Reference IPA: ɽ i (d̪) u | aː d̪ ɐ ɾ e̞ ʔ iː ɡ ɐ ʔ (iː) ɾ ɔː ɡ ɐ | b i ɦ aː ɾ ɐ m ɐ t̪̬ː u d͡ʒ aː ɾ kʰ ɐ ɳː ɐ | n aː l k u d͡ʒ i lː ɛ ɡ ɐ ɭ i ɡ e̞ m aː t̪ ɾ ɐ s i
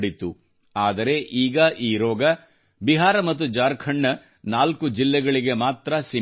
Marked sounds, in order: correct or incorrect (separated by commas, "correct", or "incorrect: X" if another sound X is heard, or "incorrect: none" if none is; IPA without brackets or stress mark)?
incorrect: t̪, correct